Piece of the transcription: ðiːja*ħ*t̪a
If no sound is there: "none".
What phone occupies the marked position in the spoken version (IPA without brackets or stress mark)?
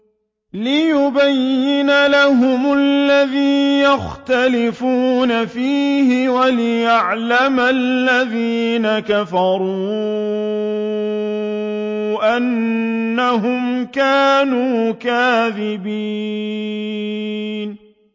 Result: x